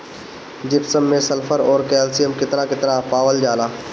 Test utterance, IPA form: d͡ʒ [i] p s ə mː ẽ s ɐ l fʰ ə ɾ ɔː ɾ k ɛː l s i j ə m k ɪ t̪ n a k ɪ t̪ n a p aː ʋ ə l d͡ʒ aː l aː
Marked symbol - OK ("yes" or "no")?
no